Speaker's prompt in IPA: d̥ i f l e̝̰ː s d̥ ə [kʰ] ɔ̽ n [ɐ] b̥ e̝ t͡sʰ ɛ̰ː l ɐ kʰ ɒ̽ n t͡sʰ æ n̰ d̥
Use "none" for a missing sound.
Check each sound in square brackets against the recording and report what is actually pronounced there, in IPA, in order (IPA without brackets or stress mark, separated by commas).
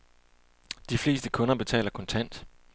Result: kʰ, ɐ